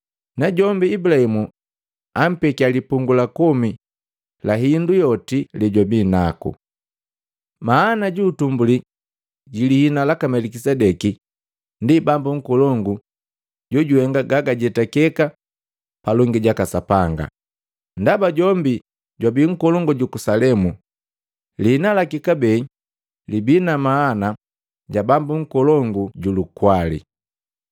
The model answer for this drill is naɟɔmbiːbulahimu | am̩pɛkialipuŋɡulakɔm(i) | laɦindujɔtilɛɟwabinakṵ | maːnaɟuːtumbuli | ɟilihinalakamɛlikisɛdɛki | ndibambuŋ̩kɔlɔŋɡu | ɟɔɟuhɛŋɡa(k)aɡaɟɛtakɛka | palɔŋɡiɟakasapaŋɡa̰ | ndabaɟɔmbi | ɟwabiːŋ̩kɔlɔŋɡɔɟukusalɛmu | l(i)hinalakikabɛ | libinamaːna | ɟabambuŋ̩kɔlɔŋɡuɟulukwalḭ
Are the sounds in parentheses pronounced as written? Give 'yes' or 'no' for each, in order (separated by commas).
yes, no, yes